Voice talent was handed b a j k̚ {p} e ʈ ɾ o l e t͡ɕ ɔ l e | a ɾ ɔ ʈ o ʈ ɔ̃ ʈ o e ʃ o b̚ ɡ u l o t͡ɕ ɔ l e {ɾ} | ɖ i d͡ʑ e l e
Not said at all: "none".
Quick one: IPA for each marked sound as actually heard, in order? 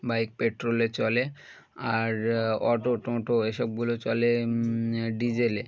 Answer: p, none

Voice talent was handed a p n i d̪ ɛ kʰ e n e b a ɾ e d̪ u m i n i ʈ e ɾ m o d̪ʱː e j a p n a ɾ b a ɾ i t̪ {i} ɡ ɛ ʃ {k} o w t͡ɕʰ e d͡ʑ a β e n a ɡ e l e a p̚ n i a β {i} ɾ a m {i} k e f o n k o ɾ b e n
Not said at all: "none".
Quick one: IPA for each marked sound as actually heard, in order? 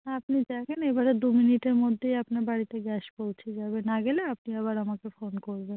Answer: e, p, a, a

